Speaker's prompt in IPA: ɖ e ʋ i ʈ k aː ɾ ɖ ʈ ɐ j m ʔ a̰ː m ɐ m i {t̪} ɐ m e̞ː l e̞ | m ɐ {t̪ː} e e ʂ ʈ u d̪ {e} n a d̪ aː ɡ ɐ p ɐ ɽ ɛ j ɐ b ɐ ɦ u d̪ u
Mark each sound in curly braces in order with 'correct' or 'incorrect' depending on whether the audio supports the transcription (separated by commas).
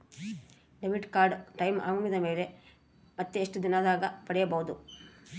incorrect, correct, incorrect